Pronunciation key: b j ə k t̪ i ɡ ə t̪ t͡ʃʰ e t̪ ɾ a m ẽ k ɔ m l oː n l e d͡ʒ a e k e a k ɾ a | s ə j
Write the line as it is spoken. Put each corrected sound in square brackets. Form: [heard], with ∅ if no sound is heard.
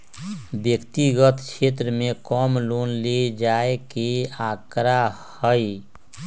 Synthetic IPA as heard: b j ə k t̪ i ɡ ə t̪ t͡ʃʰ e t̪ ɾ [ə] m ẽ k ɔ m l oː n l e d͡ʒ a e k e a k ɾ a | [h] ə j